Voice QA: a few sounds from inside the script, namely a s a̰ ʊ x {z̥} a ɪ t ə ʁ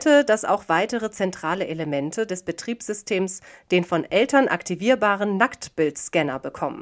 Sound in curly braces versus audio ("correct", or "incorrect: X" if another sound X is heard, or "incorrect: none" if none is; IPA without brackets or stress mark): incorrect: v̥